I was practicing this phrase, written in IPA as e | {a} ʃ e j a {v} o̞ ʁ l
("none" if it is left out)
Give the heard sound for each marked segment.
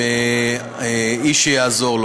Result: i, z

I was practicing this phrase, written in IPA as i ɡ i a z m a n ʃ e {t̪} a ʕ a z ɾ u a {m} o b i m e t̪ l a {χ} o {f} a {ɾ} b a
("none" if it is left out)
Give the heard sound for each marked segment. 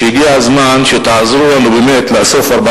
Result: t̪, n, s, f, ɾ

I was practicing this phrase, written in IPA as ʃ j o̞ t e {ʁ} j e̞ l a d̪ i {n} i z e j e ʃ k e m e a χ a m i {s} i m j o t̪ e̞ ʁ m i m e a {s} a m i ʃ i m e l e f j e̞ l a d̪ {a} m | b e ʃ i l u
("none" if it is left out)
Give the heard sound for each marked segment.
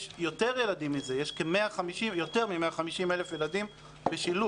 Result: ʁ, m, ʃ, χ, i

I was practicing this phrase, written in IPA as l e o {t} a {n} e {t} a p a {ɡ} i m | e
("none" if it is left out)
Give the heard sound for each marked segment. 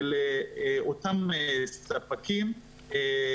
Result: t, m, s, k

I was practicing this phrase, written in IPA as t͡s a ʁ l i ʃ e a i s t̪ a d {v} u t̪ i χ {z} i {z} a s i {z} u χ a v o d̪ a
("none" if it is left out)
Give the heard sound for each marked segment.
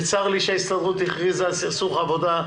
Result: ʁ, ʁ, z, s

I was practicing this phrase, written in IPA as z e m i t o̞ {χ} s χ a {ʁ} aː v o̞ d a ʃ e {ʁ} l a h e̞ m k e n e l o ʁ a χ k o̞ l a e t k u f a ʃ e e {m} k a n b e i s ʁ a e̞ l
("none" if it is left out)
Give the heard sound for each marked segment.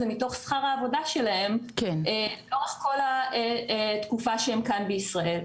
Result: χ, ʁ, none, m

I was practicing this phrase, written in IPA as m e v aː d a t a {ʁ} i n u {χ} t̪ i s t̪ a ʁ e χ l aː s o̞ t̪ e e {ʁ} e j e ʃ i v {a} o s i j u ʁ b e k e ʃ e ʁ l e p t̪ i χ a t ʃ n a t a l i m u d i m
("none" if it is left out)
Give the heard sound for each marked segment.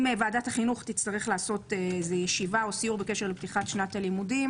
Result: χ, χ, z, a

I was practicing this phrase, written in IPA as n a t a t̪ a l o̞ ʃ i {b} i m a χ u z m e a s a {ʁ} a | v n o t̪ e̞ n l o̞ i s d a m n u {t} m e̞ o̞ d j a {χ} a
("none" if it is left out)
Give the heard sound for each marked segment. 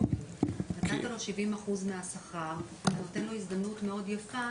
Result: v, χ, t, f

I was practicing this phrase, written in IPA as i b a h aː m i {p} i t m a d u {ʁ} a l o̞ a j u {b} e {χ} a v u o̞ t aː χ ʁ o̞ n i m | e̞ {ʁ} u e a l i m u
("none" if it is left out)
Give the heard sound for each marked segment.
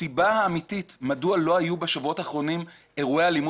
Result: t, none, b, ʃ, ʁ

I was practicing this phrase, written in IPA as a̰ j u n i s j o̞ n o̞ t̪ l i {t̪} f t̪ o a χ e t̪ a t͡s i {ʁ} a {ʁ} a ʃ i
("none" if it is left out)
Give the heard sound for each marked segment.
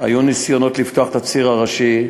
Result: none, ʁ, ʁ

